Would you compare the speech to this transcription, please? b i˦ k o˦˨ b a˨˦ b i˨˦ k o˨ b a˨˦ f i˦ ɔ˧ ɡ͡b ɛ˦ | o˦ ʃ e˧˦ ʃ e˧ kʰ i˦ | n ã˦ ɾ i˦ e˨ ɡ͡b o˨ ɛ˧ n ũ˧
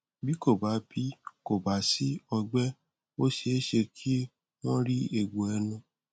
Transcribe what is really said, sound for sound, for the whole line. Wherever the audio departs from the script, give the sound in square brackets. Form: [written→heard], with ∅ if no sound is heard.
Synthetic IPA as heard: b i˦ k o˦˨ b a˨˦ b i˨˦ k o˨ b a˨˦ [f→s] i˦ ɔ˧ ɡ͡b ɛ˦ | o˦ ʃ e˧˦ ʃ e˧ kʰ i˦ | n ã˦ ɾ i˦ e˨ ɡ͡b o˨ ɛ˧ n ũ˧

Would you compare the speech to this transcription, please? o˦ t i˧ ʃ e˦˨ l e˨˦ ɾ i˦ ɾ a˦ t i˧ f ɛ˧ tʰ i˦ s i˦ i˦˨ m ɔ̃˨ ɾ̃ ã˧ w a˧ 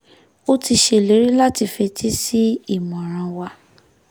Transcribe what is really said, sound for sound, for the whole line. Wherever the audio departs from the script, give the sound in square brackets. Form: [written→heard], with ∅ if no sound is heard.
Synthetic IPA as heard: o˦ t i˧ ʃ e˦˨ l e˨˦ ɾ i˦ [ɾ→l] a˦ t i˧ f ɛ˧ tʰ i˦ s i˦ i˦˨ m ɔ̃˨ ɾ̃ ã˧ w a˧

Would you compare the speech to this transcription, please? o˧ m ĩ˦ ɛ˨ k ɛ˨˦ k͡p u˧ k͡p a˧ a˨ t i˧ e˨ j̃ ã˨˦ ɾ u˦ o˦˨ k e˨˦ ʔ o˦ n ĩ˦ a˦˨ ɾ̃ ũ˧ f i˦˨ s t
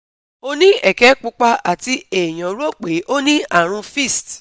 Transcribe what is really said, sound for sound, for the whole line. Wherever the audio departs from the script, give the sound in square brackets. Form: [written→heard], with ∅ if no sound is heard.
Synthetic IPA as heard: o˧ [m→n] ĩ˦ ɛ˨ k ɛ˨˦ k͡p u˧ k͡p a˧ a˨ t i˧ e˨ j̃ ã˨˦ ɾ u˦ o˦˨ [k→k͡p] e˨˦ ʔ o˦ n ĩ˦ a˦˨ ɾ̃ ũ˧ f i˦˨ s t

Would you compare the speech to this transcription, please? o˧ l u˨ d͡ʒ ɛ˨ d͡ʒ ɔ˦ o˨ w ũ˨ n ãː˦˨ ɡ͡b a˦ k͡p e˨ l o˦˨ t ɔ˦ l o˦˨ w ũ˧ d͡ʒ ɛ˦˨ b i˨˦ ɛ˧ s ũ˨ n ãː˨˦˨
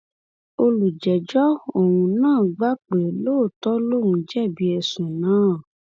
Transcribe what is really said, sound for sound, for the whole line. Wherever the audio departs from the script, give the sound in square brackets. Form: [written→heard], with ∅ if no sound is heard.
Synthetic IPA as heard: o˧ l u˨ d͡ʒ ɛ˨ d͡ʒ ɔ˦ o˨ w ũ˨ n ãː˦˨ ɡ͡b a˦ k͡p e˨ l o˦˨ t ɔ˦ l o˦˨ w ũ˧ d͡ʒ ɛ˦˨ b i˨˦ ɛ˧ s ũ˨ n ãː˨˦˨

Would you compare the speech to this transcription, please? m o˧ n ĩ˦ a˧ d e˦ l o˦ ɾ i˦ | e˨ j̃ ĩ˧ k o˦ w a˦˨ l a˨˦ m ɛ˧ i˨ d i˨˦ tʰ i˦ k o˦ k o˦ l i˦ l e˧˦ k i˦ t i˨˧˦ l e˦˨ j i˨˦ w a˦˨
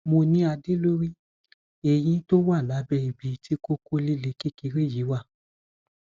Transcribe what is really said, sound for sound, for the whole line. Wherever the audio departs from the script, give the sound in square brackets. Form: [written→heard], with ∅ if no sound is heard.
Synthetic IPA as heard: m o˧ n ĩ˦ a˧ d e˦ l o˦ ɾ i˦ | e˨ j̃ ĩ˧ [k→t] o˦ w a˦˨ l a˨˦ [m→b] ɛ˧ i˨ [d→b] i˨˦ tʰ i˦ k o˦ k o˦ l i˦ l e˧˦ k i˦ [t→k] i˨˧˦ [l→ɾ] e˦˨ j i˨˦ w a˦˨

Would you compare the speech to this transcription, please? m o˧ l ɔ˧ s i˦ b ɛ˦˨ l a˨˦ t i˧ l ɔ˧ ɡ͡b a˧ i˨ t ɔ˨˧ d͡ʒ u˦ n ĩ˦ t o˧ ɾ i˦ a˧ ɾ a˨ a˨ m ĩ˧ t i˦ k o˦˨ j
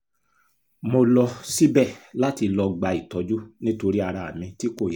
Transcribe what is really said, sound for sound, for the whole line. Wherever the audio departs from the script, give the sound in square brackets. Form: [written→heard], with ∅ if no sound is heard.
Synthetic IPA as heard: m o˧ l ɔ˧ s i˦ b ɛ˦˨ l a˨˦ t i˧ l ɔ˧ ɡ͡b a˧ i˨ t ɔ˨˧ d͡ʒ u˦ n ĩ˦ t o˧ ɾ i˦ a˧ ɾ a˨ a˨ m ĩ˧ t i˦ k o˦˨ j

